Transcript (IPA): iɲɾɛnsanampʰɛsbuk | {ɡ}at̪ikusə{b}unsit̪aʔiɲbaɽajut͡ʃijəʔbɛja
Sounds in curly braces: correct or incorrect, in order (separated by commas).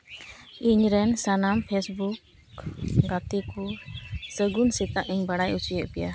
correct, incorrect